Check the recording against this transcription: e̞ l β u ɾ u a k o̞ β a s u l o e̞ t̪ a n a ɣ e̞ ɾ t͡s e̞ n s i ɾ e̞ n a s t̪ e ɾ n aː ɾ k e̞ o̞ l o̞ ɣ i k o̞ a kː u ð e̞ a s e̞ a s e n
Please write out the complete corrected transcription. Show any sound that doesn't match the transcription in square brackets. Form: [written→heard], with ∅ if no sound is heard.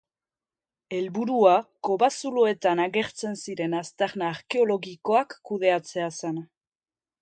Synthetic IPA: e̞ l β u ɾ u a k o̞ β a s u l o e̞ t̪ a n a ɣ e̞ ɾ t͡s e̞ n s i ɾ e̞ n a s t̪ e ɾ n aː ɾ k e̞ o̞ l o̞ ɣ i k o̞ a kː u ð e̞ a [s→t͡s] e̞ a s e n